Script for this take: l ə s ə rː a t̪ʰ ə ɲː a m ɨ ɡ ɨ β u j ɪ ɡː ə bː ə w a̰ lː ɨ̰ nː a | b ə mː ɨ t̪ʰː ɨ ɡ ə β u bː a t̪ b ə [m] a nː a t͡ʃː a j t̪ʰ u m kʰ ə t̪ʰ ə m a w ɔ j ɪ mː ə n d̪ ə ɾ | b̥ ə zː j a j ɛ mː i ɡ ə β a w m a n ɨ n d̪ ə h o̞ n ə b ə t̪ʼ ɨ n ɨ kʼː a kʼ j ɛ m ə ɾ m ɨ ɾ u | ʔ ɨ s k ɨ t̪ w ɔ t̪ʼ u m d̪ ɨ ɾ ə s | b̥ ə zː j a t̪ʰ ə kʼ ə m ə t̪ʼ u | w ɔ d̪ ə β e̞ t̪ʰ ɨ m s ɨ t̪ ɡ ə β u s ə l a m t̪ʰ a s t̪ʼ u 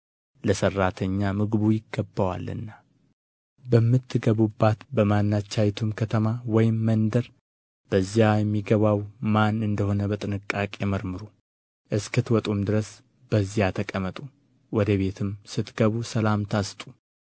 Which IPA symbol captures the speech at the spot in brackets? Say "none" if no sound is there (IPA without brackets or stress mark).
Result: m